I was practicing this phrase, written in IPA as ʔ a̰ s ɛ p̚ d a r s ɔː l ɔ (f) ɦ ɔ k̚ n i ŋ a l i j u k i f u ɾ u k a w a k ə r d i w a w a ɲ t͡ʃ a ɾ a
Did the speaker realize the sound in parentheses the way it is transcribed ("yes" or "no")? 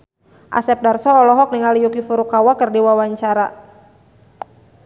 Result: no